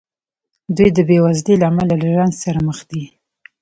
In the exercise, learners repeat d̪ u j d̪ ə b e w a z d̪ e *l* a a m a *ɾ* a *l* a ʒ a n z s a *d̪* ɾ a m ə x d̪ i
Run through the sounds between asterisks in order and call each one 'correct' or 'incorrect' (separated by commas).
correct, incorrect, correct, incorrect